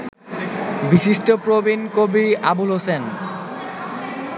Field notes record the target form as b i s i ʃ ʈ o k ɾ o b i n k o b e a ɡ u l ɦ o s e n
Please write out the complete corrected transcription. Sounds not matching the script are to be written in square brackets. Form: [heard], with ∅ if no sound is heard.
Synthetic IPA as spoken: b i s i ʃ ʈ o [p] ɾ o b i n k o b [i] a [b] u l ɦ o s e n

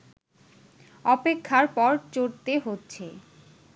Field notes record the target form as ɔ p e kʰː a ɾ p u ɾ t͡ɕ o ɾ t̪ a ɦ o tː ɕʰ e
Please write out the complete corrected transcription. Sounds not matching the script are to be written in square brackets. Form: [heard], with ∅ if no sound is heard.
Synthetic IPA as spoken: ɔ p e kʰː a ɾ p [ɔ] ɾ t͡ɕ o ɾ t̪ [e] ɦ o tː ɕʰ e

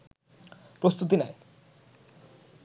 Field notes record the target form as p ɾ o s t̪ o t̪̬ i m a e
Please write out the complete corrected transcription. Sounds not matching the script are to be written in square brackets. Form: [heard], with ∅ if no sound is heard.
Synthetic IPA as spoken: p ɾ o s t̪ [u] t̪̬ i [n] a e

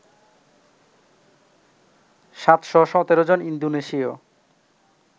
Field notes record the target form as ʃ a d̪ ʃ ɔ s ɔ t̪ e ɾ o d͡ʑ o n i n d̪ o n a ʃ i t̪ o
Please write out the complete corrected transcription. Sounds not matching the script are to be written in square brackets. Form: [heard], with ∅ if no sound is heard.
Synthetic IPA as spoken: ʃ a [t̪] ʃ ɔ [ʃ] ɔ t̪ e ɾ o d͡ʑ o n i n d̪ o n [e] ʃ i [∅] o

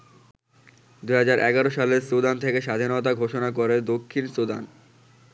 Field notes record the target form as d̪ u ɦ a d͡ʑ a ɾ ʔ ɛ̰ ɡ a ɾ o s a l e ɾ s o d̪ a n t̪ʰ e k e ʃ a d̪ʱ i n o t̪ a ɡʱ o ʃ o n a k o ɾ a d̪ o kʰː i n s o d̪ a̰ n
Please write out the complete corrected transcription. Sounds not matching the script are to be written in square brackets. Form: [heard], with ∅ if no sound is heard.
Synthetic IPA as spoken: d̪ u ɦ a d͡ʑ a ɾ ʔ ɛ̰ ɡ a ɾ o [ʃ] a l e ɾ s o d̪ a n t̪ʰ e k e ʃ a d̪ʱ i n o t̪ a ɡʱ o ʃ o n a k o ɾ [e] d̪ o kʰː i n s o d̪ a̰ n

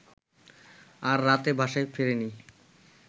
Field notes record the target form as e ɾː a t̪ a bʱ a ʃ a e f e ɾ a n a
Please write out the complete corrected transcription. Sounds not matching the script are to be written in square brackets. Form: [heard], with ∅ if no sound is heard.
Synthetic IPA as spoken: [a] ɾː a t̪ [e] bʱ a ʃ a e f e ɾ [e] n [i]

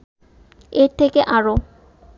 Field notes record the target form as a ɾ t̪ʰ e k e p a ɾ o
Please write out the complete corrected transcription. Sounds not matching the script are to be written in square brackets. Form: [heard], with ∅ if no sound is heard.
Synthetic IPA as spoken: [e] ɾ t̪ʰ e k e [ʔ] a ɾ o

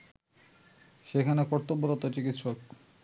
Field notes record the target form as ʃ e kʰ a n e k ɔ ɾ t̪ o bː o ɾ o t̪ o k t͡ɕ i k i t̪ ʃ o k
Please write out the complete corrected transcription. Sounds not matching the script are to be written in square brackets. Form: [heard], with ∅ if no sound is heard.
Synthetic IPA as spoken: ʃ e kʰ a n e k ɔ ɾ t̪ o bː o ɾ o t̪ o [∅] t͡ɕ i k i t̪ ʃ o k

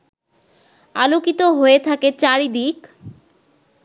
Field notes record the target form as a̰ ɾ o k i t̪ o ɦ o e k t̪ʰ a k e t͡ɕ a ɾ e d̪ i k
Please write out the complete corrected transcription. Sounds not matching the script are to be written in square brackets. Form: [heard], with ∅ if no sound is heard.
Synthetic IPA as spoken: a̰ [l] o k i t̪ o ɦ o e [∅] t̪ʰ a k e t͡ɕ a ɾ [i] d̪ i k

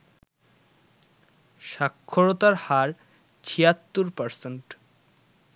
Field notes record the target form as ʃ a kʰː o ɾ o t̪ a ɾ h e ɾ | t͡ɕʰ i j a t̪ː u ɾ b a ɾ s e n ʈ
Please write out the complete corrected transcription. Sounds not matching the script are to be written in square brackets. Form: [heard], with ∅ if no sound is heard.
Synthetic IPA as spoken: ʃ a kʰː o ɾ o t̪ a ɾ h [a] ɾ | t͡ɕʰ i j a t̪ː u ɾ [p] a ɾ s e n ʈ

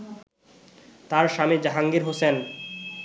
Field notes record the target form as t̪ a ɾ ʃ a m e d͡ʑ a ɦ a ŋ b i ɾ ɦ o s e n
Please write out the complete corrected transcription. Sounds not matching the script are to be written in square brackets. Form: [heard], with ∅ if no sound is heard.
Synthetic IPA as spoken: t̪ a ɾ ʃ a m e d͡ʑ a ɦ a ŋ [ɡ] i ɾ ɦ o s e n

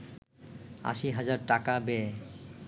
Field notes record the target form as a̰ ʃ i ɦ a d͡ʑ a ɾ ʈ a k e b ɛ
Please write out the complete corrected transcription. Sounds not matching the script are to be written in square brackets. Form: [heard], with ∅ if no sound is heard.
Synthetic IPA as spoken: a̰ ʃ i ɦ a d͡ʑ a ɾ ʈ a k [a] b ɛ

